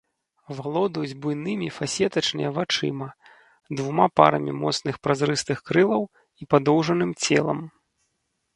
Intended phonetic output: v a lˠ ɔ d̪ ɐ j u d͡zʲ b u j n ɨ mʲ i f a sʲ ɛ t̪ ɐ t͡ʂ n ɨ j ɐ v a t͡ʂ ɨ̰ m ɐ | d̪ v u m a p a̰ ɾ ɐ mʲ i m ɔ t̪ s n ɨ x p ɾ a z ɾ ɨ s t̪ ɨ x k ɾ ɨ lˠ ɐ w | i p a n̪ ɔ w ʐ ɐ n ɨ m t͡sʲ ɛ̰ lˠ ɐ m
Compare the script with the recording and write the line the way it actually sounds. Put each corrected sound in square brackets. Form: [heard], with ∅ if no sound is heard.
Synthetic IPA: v a lˠ ɔ d̪ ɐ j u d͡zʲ b u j n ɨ mʲ i f a sʲ ɛ t̪ ɐ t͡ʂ n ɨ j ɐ v a t͡ʂ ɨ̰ m ɐ | d̪ v u m a p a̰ ɾ ɐ mʲ i m ɔ t̪ s n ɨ x p ɾ a z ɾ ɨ s t̪ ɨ x k ɾ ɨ lˠ ɐ w | i p a [d̪] ɔ w ʐ ɐ n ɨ m t͡sʲ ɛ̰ lˠ ɐ m